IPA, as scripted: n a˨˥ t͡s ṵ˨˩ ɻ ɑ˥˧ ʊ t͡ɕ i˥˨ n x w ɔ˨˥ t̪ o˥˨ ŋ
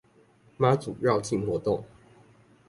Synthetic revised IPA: m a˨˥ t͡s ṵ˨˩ ɻ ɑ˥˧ ʊ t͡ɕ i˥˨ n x w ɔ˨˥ t̪ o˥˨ ŋ